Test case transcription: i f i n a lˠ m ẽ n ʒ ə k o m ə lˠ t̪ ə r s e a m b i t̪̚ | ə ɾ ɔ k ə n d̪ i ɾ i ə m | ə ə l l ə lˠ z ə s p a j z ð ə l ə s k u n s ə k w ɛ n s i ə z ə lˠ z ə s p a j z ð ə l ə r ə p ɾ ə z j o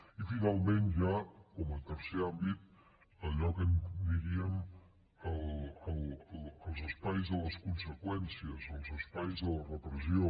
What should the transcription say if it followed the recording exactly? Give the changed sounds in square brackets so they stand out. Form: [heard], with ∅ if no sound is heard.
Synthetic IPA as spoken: i f i n a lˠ m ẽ n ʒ [a] k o m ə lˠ t̪ ə [ɾ] s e a m b i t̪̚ | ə [ʎ] ɔ k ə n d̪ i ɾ i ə m | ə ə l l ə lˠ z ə s p a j z ð ə l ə s k u n s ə k w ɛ n s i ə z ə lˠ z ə s p a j z ð ə l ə r ə p ɾ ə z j o